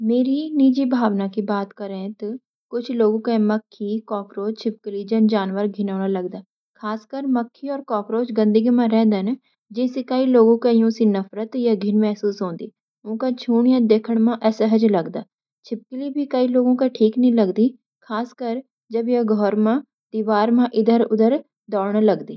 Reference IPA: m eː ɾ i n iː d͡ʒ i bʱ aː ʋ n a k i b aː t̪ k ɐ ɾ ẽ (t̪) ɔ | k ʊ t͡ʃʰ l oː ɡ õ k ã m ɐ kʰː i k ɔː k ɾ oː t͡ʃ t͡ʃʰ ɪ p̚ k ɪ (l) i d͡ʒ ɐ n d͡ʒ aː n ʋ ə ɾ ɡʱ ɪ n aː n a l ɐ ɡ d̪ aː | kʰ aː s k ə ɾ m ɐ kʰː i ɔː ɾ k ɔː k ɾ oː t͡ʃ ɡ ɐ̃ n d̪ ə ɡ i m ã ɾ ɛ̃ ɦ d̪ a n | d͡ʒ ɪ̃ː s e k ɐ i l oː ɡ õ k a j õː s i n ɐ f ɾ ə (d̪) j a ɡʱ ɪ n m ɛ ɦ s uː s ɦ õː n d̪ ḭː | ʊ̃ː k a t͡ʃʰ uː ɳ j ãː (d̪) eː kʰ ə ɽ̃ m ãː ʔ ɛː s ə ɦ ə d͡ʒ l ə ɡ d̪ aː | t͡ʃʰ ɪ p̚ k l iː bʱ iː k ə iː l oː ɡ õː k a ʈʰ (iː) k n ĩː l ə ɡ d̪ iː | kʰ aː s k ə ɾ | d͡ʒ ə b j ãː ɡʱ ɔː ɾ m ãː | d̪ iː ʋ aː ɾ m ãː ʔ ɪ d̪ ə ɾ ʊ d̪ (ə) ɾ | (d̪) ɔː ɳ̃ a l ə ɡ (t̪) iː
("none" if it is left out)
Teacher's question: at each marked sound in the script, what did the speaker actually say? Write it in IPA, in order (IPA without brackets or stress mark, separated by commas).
t̪, l, t̪, d̪, iː, ə, d̪, d̪